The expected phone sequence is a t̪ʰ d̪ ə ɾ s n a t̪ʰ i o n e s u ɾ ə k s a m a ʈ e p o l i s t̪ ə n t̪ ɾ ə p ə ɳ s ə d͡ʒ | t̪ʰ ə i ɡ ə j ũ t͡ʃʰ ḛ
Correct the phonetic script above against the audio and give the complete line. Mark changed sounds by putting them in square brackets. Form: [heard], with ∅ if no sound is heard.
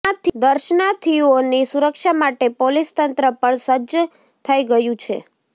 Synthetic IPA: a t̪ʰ d̪ ə ɾ [ʃ] n a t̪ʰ i o n [i] s u ɾ ə k [ʃ] a m a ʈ e p o l i s t̪ ə n t̪ ɾ ə p ə ɳ s ə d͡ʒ | t̪ʰ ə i ɡ ə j ũ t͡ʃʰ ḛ